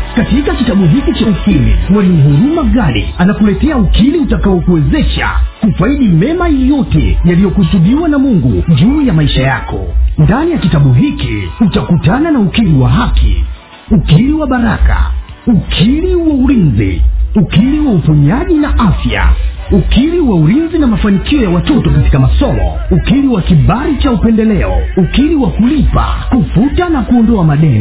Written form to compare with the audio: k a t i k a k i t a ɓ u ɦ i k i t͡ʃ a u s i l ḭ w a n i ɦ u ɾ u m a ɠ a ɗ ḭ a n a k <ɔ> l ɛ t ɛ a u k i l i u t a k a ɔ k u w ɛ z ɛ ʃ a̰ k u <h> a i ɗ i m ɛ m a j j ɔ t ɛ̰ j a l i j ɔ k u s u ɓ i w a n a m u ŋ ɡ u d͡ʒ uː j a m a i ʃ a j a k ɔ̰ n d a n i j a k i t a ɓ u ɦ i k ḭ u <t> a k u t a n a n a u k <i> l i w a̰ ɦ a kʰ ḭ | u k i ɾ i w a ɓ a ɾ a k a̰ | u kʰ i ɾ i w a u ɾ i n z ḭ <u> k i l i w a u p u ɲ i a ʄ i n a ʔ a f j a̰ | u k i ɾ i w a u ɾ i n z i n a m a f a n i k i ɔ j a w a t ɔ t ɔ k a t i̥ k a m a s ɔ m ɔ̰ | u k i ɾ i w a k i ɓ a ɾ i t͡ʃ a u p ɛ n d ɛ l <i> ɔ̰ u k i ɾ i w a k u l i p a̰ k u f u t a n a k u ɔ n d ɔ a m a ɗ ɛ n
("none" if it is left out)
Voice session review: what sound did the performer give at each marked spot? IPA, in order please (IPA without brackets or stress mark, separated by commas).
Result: u, f, t, i, u, ɛ